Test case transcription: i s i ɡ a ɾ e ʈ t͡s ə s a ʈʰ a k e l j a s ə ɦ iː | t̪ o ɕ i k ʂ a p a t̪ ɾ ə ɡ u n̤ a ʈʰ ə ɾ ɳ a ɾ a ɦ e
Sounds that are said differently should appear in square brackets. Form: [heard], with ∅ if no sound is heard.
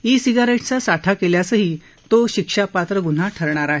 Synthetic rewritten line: i s i ɡ a ɾ e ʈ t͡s [a] s a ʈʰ a k e l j a s ə ɦ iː | t̪ o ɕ i k ʂ a p a t̪ ɾ ə ɡ u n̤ a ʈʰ ə ɾ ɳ a ɾ a ɦ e